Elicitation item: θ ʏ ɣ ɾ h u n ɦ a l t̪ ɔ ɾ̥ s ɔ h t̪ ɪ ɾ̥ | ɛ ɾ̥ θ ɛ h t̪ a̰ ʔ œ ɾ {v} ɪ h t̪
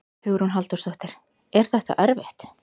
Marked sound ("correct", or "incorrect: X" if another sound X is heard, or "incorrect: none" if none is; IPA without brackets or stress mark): correct